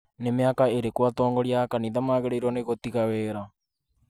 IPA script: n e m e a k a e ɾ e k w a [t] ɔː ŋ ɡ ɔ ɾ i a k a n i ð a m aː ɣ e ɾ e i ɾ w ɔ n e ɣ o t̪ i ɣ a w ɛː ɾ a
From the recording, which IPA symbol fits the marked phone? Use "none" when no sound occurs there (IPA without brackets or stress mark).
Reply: t